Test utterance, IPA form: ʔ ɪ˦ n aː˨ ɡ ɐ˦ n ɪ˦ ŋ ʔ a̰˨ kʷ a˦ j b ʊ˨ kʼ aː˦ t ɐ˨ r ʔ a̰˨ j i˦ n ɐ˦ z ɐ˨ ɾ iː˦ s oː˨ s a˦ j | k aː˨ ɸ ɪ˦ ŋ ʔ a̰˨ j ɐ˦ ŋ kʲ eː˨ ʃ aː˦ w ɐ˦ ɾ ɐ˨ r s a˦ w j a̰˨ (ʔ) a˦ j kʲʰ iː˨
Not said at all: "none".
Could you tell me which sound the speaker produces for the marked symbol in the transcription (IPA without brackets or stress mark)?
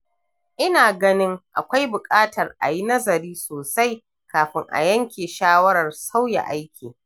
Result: ʔ